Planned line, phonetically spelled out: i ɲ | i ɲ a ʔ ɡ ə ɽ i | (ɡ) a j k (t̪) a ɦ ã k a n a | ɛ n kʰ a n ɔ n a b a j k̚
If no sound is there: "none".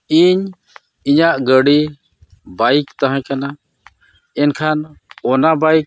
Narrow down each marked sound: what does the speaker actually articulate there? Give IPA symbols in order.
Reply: b, t̪

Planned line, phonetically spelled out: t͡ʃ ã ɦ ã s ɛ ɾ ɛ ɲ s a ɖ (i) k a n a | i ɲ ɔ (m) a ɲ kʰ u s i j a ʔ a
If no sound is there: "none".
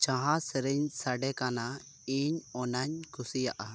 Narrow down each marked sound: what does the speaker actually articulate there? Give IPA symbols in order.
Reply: ɛ, n

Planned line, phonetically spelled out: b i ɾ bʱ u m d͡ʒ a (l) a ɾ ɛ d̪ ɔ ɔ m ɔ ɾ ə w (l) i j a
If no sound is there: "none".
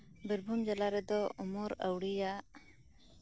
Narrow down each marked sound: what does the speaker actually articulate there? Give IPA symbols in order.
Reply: l, ɽ

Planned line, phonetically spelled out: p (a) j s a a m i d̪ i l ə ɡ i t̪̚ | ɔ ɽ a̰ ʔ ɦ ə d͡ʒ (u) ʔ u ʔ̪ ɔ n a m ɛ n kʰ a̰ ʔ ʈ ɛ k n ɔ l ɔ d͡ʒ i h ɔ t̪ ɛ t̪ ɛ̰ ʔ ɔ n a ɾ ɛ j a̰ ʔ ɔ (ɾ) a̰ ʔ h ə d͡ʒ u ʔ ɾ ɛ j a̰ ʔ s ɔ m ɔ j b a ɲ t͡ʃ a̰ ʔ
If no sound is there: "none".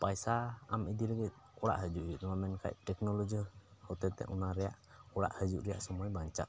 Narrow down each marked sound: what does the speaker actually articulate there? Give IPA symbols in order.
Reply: a, u, ɽ

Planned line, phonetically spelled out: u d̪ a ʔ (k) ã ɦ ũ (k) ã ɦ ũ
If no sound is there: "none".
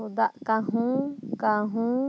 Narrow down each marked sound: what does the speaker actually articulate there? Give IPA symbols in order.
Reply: k, k

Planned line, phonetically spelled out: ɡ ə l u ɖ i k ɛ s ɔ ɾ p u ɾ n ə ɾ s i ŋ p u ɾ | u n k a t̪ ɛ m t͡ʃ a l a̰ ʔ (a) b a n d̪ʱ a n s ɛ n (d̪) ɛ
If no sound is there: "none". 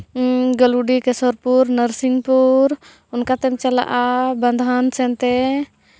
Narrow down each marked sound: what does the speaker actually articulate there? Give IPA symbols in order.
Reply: a, t̪

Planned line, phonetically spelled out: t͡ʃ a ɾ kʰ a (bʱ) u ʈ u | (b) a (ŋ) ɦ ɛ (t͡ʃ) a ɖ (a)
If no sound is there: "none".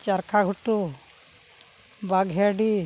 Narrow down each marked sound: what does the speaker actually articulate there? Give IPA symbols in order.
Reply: ɡʱ, b, ɡ, none, i

